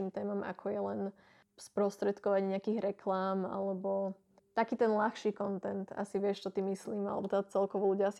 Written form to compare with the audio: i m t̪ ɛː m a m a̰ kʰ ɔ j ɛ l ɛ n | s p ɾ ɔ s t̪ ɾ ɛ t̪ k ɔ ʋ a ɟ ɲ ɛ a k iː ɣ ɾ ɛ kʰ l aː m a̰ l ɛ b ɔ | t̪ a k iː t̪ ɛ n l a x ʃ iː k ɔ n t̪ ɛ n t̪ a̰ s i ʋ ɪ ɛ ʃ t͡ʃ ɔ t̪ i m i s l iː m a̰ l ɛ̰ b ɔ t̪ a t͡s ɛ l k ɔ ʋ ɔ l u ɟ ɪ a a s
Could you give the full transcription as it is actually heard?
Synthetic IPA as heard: i m t̪ ɛː m a m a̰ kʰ ɔ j ɛ l ɛ n | s p ɾ ɔ s t̪ ɾ ɛ t̪ k ɔ ʋ a ɟ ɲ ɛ a k iː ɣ ɾ ɛ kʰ l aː m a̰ l ɛ b ɔ | t̪ a k iː t̪ ɛ n l a x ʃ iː k ɔ n t̪ ɛ n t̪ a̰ s i ʋ ɪ ɛ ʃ t͡ʃ ɔ t̪ i m i s l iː m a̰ l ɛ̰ b ɔ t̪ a t͡s ɛ l k ɔ ʋ ɔ l u ɟ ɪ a a s